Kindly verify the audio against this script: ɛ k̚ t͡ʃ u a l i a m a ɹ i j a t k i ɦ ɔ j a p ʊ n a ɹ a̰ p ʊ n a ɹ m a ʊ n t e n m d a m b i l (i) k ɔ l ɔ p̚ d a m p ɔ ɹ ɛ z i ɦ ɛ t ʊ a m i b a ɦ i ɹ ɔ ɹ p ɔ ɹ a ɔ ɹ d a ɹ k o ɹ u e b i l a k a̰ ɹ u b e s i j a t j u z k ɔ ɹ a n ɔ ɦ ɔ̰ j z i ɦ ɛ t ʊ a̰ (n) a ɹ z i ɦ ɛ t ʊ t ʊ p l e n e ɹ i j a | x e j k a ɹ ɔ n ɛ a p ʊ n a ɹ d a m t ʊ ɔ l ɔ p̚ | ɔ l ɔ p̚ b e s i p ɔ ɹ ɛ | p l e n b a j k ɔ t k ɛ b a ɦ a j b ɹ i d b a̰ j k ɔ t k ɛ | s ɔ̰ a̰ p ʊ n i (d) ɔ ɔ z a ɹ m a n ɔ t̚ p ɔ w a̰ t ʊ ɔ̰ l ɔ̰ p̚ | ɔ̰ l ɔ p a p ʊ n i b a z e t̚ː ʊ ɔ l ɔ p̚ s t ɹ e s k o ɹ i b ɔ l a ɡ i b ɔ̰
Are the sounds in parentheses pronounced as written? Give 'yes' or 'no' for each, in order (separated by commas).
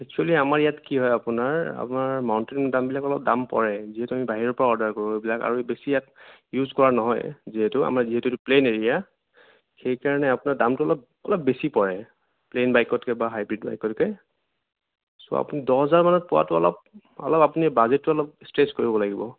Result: no, no, yes